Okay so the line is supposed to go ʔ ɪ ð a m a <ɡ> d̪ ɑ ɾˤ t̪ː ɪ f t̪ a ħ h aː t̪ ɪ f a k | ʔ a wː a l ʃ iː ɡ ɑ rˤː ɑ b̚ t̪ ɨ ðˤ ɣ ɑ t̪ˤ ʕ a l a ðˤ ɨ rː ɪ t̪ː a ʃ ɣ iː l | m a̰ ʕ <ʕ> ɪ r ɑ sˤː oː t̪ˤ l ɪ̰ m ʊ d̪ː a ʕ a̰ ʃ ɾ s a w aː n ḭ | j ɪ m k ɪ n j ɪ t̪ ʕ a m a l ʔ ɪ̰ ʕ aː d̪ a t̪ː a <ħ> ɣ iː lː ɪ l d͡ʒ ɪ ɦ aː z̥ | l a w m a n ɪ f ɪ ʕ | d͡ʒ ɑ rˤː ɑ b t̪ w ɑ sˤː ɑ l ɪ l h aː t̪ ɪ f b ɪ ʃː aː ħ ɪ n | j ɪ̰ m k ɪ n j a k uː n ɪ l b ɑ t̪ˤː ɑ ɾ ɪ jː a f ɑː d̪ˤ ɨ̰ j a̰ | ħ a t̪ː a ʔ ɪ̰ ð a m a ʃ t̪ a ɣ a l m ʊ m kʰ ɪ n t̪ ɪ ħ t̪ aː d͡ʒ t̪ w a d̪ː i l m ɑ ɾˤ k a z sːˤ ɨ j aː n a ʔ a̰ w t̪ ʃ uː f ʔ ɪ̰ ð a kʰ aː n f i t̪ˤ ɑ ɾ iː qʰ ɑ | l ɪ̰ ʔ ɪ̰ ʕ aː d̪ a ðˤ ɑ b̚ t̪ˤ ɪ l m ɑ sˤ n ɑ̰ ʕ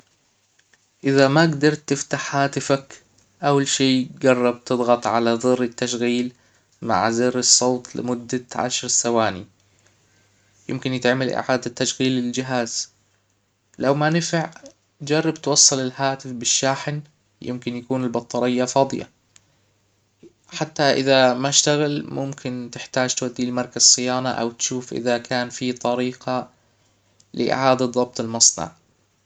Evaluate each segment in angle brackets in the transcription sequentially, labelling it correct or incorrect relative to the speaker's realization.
correct, incorrect: z, incorrect: ʃ

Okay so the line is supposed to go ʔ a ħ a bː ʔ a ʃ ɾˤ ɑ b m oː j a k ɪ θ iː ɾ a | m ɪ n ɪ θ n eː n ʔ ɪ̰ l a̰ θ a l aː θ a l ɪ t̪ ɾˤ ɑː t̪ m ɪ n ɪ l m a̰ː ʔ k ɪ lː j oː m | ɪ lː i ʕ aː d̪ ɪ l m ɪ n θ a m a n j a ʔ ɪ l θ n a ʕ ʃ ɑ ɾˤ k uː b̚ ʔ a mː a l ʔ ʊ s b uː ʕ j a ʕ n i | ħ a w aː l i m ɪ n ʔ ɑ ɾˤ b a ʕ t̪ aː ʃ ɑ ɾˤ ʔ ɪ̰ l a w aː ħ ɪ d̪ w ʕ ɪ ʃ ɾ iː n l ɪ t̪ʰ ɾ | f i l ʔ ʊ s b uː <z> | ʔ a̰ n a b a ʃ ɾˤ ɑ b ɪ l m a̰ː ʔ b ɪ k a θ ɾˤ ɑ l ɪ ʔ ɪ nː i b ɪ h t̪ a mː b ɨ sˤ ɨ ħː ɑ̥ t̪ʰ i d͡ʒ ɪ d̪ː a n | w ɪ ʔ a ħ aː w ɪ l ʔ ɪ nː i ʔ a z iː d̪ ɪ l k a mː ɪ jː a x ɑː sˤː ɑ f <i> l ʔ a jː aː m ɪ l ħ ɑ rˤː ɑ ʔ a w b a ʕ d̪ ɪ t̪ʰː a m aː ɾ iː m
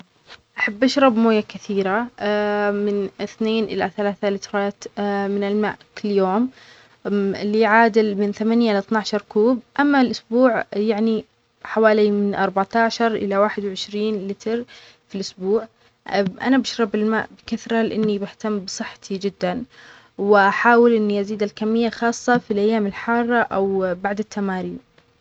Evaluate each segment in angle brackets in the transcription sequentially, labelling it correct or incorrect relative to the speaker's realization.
incorrect: ʕ, correct

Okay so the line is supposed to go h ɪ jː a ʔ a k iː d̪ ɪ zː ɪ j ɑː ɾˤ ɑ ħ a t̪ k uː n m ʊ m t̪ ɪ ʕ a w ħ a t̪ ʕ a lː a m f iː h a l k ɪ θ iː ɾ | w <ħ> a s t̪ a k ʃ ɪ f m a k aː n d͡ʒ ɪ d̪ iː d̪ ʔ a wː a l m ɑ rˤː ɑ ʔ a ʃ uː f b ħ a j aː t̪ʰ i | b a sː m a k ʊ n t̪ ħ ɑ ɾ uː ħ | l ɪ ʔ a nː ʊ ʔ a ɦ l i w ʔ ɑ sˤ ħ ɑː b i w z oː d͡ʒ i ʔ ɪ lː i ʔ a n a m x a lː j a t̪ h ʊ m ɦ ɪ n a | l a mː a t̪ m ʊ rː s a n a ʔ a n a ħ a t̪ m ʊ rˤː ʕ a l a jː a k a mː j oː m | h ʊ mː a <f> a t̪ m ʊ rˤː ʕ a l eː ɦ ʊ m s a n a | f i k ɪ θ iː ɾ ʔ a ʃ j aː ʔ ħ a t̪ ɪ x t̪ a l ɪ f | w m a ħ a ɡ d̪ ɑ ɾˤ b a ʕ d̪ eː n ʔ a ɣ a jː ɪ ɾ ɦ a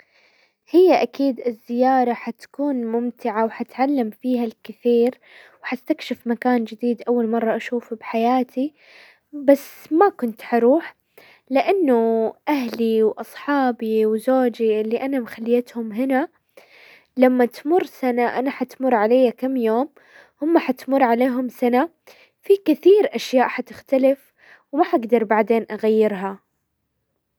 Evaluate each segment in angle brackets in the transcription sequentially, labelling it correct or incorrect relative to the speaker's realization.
correct, incorrect: ħ

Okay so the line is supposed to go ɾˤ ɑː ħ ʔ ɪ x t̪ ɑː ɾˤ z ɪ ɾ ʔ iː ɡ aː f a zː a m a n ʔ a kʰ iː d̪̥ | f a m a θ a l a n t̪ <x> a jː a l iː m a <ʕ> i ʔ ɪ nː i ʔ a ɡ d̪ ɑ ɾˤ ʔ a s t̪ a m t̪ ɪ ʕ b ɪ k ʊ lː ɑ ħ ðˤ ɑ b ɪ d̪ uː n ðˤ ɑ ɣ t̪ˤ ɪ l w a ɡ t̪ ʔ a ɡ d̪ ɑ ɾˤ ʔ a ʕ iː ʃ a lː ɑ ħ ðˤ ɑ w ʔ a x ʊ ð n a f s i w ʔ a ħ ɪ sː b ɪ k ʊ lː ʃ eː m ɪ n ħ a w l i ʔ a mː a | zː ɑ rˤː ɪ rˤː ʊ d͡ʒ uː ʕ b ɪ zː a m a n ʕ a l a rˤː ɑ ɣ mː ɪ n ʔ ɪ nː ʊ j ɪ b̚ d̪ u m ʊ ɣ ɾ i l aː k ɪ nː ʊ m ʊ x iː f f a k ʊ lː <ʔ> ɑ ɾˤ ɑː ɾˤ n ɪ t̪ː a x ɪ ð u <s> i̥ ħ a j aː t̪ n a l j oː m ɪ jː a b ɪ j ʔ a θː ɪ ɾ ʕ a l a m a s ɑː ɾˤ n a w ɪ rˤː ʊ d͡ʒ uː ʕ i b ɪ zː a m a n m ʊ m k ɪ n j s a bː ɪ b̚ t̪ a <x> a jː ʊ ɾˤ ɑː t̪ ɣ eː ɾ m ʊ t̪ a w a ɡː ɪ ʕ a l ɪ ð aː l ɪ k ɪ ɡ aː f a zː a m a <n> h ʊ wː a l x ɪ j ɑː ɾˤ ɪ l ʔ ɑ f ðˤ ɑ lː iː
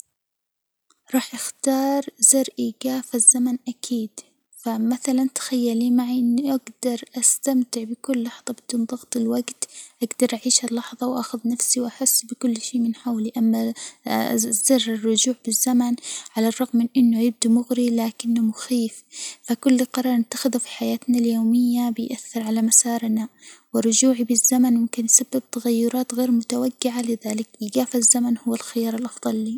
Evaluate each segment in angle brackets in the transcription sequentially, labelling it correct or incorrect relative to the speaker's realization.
correct, correct, incorrect: q, incorrect: f, incorrect: ɣ, correct

